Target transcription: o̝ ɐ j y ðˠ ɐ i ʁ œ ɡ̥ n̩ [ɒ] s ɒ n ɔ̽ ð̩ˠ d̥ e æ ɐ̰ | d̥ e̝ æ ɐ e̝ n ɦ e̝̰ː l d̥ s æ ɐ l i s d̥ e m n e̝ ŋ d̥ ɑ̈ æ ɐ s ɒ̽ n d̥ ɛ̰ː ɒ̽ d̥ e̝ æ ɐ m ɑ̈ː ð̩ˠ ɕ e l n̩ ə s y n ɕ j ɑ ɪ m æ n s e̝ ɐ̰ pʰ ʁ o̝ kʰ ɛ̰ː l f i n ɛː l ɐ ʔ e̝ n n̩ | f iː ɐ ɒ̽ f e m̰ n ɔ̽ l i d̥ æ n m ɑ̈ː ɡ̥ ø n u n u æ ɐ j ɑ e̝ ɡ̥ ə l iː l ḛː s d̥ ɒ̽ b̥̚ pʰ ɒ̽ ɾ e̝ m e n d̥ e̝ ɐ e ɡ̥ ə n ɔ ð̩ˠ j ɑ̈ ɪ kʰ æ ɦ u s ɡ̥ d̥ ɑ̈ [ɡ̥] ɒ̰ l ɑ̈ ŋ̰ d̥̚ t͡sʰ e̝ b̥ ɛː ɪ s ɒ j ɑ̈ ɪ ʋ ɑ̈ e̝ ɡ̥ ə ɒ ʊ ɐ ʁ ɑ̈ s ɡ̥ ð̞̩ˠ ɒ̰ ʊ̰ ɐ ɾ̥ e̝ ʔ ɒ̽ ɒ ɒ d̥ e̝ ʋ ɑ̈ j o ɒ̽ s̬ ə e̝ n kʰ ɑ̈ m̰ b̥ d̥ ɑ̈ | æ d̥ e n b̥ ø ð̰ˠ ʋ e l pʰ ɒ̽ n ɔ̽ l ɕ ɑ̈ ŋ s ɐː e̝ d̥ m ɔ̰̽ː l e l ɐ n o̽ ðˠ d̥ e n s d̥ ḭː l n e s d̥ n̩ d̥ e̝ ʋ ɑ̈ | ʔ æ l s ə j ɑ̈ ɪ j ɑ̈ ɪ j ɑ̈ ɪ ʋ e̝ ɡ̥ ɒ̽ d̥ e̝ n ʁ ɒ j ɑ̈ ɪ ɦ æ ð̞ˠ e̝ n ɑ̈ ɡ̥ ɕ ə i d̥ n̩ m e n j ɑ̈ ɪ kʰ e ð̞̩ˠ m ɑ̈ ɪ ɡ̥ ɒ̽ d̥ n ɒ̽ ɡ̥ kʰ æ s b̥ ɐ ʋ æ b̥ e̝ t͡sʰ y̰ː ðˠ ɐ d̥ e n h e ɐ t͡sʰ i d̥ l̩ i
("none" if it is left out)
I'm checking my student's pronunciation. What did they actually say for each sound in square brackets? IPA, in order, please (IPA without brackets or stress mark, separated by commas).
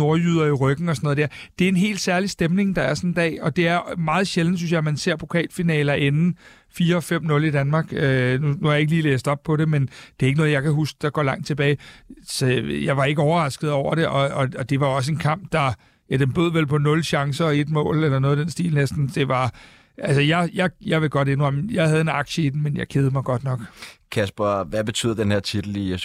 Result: ɒ, ɡ̥